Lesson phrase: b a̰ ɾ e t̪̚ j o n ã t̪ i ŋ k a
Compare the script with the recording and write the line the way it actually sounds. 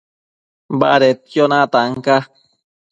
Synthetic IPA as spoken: b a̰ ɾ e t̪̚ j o n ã t̪ a ŋ k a